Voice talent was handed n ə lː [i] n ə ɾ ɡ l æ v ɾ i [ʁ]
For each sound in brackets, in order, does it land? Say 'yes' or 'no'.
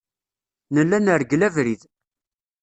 no, no

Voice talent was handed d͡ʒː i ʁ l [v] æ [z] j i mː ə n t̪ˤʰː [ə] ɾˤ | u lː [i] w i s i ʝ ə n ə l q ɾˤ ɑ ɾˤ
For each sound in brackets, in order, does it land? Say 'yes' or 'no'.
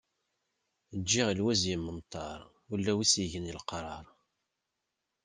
no, yes, no, no

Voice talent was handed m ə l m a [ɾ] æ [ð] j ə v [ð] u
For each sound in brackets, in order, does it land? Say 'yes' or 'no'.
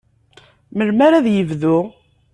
yes, yes, yes

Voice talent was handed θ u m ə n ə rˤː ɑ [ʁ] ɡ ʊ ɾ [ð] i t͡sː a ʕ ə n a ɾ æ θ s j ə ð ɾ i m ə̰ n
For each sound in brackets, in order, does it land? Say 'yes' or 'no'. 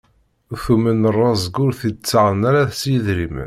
no, no

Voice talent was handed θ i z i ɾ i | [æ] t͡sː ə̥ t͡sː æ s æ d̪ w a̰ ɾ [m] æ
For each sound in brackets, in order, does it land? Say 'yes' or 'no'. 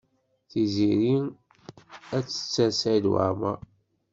yes, yes

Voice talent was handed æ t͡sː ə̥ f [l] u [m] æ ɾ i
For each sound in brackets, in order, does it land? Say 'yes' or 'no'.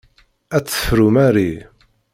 no, yes

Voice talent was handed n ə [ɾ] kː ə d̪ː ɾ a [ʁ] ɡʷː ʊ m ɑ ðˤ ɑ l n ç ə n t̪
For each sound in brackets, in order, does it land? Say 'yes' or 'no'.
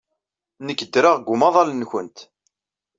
no, yes

